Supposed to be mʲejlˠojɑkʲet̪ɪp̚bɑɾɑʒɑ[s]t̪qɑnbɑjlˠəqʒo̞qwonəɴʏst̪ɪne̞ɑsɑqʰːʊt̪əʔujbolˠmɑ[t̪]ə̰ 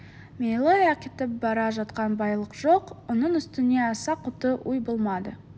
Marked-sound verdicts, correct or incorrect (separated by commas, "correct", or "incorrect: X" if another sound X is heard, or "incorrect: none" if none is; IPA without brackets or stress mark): incorrect: none, incorrect: d̪